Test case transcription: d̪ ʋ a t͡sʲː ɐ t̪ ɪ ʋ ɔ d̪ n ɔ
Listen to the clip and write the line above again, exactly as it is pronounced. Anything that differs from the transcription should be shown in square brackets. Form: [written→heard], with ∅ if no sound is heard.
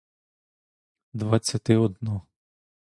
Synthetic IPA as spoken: d̪ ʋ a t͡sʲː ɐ t̪ ɪ [ʋ→∅] ɔ d̪ n ɔ